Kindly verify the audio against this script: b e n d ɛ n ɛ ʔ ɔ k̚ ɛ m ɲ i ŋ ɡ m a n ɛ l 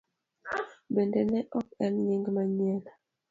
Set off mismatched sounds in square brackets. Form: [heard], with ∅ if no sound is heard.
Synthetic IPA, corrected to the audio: b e n d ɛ n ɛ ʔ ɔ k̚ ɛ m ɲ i ŋ ɡ m a [ɲ] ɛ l